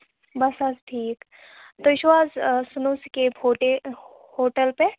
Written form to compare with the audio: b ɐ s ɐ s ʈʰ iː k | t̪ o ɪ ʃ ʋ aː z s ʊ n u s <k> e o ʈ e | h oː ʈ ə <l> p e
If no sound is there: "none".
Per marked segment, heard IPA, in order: k, l

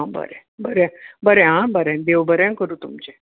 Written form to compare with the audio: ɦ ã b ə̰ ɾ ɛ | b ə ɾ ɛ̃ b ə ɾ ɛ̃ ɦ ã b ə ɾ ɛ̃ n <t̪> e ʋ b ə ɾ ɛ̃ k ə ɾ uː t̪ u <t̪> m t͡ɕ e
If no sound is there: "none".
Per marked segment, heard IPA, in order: d̪, none

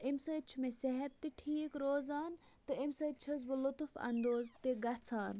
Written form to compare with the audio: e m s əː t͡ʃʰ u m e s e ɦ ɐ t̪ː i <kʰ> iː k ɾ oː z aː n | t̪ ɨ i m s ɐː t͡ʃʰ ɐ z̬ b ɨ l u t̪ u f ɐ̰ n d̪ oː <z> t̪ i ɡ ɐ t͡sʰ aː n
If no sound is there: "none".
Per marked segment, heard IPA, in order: ʈʰ, z

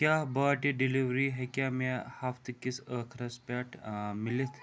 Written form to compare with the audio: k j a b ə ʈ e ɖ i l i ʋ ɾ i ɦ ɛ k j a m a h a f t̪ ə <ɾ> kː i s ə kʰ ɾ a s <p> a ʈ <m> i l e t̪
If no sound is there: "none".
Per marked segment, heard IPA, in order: none, p, m

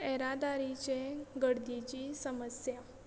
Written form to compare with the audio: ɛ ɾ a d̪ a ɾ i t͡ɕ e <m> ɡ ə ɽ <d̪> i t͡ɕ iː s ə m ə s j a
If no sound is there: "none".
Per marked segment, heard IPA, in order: none, d̪

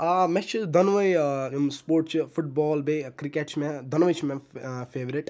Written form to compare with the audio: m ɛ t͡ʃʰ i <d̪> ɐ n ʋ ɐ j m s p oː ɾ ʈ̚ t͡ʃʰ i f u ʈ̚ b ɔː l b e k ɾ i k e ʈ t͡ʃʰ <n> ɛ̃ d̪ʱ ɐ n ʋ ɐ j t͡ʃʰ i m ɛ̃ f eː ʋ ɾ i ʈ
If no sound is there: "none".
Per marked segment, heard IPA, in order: d̪, m

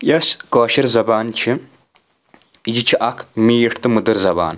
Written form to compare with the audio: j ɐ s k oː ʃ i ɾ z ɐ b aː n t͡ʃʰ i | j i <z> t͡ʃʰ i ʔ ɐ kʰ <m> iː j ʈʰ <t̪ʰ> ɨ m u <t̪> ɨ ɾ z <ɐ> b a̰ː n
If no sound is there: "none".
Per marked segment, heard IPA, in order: none, m, t̪, d̪, ɐ

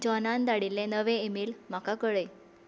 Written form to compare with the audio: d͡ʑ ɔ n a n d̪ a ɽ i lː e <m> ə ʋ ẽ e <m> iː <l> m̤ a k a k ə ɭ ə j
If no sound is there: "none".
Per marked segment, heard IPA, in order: n, m, l

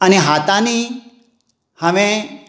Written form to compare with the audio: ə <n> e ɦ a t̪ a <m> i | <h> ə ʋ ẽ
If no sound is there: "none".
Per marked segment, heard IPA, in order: n, n, h

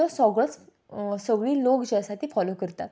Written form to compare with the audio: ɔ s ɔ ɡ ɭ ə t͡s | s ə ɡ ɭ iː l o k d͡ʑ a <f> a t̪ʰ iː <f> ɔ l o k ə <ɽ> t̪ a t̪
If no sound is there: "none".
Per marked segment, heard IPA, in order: s, f, ɾ

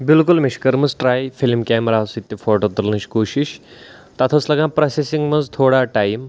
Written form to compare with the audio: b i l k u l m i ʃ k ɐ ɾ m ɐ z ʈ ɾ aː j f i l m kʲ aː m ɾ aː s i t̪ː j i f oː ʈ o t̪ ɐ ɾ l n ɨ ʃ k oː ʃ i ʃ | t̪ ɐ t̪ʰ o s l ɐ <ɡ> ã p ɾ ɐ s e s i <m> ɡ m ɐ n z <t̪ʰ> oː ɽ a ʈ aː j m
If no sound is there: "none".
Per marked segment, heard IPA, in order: ɡ, ŋ, t̪ʰ

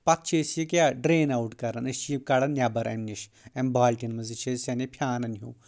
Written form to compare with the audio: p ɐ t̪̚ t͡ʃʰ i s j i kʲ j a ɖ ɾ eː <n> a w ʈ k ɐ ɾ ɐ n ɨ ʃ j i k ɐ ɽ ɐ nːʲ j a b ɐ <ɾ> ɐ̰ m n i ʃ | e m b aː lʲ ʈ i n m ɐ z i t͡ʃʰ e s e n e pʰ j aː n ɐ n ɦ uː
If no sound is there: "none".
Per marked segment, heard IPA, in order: n, ɾ

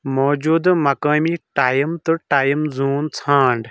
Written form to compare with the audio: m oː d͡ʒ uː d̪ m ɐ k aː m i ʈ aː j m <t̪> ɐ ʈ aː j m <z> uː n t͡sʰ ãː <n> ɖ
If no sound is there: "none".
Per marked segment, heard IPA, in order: t̪, z, ɳ

